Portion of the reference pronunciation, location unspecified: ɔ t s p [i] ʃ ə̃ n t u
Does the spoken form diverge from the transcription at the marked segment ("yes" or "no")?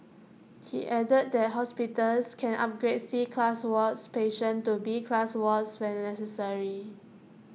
yes